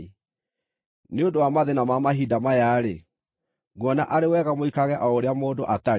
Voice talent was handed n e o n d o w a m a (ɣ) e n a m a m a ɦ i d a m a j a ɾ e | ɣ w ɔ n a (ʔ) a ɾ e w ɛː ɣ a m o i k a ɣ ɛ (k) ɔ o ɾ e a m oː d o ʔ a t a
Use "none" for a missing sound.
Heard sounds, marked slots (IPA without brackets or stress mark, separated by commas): ð, ʔ, ʔ